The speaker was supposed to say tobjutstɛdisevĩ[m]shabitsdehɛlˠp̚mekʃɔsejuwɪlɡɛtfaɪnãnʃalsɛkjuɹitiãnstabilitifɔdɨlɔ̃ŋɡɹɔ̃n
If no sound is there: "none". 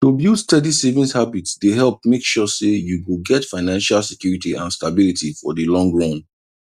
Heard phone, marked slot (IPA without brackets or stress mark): n